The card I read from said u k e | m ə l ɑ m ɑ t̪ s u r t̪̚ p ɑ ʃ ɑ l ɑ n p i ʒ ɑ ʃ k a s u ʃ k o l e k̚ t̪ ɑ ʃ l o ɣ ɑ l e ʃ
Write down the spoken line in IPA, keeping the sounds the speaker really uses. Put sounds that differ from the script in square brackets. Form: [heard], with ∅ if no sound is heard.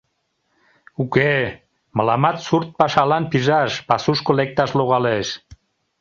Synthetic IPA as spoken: u k e | m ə l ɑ m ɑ t̪ s u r t̪̚ p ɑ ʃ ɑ l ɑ n p i ʒ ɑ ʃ [p] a s u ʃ k o l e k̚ t̪ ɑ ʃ l o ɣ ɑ l e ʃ